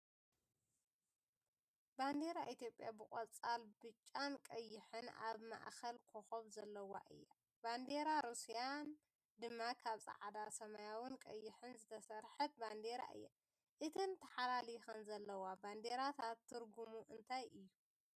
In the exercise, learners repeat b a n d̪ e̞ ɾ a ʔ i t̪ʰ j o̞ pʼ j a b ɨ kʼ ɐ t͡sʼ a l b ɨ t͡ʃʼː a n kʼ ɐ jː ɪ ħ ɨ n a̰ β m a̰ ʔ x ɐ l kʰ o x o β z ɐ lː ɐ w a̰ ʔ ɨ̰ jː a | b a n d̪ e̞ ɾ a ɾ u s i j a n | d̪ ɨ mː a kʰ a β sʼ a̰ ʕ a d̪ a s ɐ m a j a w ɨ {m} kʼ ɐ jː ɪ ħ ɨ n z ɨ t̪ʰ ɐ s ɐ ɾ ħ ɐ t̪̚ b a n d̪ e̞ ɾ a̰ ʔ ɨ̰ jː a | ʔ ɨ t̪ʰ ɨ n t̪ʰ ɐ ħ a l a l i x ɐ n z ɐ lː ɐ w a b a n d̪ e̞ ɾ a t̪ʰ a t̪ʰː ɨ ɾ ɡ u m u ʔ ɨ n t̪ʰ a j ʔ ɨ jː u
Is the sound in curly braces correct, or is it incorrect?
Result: incorrect